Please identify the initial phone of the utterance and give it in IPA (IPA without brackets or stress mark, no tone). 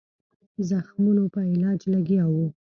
z